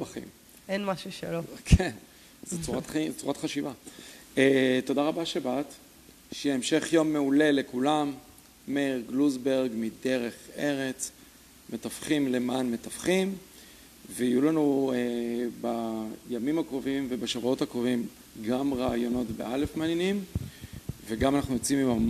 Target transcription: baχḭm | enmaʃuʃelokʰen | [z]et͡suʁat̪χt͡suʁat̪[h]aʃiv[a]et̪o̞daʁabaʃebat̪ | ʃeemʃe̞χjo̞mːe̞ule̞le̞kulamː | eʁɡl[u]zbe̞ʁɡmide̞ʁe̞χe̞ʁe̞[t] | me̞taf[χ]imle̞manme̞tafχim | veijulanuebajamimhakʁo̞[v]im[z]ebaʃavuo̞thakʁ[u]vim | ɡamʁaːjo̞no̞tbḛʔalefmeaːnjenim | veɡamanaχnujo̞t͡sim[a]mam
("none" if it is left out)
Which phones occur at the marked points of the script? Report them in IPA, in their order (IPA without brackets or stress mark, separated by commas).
z, χ, a, u, t͡s, χ, v, v, o, i